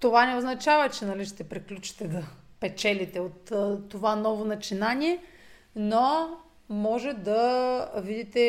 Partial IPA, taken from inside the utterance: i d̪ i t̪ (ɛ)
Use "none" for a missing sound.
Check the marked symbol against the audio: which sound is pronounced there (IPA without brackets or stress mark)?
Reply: ɛ